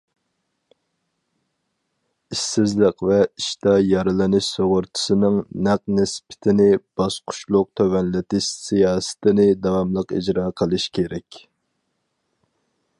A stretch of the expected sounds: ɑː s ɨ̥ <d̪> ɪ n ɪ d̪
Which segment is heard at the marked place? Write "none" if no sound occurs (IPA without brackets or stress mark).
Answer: t̪